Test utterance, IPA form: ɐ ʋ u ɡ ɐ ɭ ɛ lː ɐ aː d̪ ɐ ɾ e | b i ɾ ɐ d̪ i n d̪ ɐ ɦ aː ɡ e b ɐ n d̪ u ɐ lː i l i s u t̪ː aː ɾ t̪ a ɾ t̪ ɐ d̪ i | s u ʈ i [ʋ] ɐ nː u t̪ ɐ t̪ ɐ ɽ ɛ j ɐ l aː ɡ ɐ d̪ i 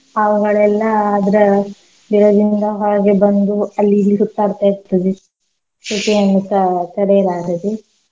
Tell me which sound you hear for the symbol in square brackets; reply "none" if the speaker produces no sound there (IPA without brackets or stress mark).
none